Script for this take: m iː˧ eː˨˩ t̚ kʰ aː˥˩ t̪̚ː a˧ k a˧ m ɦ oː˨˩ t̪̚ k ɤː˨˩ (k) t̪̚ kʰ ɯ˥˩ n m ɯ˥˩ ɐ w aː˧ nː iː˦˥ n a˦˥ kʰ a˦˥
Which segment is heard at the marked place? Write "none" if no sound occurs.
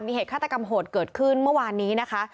none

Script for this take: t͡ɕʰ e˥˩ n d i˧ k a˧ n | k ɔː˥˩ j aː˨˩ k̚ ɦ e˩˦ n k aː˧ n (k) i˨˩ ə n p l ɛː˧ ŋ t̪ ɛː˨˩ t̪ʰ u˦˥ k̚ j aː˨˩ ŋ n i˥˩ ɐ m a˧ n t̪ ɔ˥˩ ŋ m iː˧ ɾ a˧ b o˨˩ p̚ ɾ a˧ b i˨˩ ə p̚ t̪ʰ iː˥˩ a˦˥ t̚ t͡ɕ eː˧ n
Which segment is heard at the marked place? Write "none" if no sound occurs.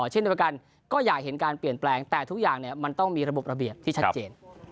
p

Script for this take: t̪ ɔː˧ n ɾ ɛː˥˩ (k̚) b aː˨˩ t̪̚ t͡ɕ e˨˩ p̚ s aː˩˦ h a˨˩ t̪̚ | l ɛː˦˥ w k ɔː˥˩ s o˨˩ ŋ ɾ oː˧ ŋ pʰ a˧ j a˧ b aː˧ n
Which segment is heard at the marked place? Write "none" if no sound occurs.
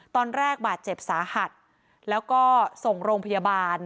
k̚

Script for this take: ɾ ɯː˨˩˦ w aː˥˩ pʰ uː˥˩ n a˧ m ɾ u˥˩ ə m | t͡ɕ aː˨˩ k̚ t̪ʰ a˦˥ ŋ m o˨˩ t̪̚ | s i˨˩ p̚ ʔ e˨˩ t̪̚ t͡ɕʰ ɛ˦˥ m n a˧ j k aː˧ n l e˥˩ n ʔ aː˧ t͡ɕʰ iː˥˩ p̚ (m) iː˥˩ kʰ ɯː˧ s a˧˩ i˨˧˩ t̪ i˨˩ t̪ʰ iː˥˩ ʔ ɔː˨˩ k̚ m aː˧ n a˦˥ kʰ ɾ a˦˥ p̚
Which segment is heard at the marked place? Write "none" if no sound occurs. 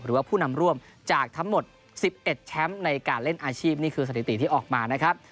n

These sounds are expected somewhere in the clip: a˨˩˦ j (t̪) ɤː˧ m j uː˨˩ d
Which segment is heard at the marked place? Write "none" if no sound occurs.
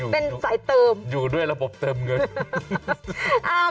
t̪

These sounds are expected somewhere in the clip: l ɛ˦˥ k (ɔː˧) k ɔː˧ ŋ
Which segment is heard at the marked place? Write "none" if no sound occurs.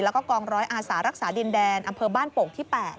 ɔː˥˩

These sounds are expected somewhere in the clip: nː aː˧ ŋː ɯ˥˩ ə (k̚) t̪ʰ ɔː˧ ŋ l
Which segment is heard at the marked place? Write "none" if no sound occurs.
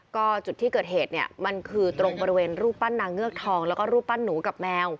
k̚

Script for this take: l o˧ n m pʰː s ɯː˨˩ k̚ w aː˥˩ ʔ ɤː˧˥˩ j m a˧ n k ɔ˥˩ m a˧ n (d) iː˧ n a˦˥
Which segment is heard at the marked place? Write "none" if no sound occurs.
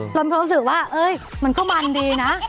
d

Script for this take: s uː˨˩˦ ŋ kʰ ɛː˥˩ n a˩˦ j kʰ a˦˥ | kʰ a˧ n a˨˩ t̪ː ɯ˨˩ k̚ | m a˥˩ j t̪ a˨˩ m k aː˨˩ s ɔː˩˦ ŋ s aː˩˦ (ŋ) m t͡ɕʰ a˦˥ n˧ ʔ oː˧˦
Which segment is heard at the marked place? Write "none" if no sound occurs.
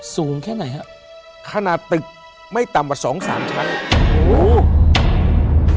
none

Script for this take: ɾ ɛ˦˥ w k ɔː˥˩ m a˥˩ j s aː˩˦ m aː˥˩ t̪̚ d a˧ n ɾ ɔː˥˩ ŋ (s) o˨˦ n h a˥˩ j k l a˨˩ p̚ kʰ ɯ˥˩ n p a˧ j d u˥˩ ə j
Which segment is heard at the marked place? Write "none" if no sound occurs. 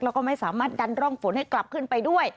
f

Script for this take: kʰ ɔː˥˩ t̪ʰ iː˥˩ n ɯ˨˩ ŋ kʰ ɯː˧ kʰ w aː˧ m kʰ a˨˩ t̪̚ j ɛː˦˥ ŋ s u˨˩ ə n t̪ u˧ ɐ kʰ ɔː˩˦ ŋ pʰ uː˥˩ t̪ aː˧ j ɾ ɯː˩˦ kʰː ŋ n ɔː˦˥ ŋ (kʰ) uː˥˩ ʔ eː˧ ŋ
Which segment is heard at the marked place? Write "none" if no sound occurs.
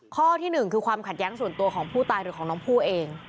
pʰ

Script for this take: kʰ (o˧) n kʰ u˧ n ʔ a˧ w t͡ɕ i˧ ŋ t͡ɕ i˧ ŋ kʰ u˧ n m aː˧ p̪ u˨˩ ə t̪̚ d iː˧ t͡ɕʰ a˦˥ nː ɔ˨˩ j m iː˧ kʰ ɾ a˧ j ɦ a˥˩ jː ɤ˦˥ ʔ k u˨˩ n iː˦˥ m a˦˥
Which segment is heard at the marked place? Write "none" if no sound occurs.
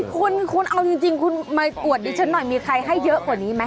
u˧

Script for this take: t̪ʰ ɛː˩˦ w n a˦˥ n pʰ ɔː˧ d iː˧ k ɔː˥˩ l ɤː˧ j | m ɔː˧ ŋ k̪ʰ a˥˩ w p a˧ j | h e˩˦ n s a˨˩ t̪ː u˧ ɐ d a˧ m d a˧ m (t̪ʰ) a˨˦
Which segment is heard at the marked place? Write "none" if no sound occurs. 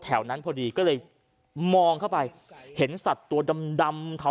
t̪ʰ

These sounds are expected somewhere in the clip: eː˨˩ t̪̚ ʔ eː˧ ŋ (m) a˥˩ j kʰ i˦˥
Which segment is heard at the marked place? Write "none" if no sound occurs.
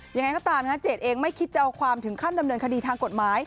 m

